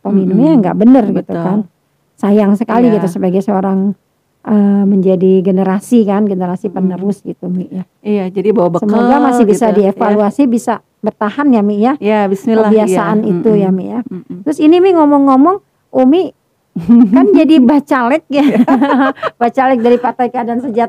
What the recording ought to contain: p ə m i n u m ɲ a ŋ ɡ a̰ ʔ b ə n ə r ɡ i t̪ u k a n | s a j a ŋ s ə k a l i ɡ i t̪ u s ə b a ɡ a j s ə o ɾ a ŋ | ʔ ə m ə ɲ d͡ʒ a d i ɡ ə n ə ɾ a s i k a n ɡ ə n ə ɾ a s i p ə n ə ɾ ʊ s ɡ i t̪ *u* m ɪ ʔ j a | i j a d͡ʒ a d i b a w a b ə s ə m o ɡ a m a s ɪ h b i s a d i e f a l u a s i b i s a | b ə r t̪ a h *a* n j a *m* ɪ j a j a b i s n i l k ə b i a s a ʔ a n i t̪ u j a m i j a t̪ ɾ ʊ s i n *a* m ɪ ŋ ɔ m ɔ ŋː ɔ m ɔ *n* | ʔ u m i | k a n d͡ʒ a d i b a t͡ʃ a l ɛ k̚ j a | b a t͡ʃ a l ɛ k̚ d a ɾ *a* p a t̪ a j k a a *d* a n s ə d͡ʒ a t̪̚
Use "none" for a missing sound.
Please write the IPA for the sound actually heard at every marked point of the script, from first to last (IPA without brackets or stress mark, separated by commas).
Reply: u, a, m, i, ŋ, i, d